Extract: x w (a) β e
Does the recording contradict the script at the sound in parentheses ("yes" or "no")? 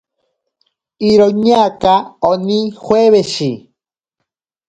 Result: yes